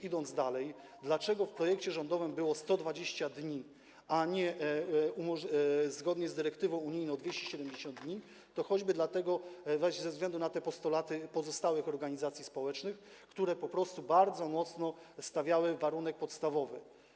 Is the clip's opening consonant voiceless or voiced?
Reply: voiced